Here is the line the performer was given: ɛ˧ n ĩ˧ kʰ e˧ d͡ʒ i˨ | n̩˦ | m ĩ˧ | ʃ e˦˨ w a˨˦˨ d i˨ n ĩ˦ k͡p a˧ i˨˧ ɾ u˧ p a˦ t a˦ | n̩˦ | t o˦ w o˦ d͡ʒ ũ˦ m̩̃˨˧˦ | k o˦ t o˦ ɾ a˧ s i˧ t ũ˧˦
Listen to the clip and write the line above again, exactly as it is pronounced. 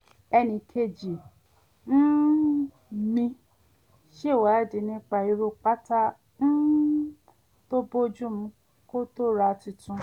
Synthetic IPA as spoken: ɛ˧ n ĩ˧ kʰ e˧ d͡ʒ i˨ | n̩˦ | m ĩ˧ | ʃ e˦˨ w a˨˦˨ d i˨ n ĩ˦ k͡p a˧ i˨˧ ɾ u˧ k͡p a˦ t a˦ | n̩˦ | t o˦ b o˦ d͡ʒ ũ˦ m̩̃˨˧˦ | k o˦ t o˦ ɾ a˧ t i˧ t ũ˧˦

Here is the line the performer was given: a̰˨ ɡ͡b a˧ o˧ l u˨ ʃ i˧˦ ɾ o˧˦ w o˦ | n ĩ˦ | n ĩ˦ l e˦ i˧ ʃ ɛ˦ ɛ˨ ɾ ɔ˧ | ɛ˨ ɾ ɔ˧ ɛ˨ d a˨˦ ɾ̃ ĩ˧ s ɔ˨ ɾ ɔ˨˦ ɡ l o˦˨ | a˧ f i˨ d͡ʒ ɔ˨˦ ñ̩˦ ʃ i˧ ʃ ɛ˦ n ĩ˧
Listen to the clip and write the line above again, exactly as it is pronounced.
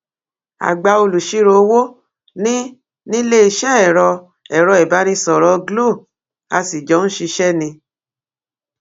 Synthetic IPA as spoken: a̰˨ ɡ͡b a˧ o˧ l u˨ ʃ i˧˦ ɾ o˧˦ w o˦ | n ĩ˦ | n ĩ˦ l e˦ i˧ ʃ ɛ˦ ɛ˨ ɾ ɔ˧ | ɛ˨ ɾ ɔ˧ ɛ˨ b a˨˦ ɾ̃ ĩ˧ s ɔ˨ ɾ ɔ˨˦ ɡ l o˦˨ | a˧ s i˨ d͡ʒ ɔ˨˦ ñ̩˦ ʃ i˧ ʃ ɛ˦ n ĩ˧

